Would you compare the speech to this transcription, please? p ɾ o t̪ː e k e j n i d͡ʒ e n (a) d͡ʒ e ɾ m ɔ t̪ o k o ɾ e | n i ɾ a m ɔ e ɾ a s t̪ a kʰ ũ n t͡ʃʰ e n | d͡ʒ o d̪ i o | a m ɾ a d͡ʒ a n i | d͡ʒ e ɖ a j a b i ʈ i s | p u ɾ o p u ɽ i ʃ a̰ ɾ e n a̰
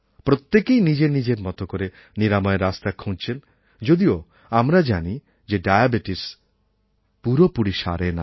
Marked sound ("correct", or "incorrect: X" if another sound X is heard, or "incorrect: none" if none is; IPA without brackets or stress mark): incorrect: i